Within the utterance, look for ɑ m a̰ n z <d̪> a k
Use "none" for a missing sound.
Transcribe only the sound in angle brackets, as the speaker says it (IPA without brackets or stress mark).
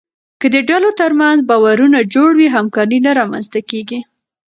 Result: t̪